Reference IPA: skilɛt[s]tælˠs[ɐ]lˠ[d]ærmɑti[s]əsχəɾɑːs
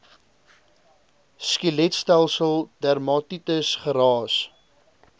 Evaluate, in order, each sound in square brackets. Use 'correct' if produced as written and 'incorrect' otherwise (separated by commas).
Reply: correct, incorrect, correct, incorrect